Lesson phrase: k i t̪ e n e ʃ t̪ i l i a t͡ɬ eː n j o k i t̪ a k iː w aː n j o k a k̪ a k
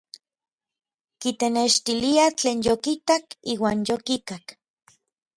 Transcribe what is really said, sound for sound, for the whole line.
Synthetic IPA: k i t̪ e n e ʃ t̪ i l i a t͡ɬ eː n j o k i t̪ a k iː w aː n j o k i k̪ a k